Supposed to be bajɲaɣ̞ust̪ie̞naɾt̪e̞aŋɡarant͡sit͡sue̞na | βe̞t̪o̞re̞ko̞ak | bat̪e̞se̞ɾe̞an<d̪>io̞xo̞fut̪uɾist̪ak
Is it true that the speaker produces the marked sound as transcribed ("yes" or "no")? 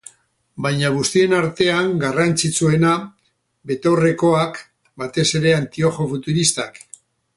no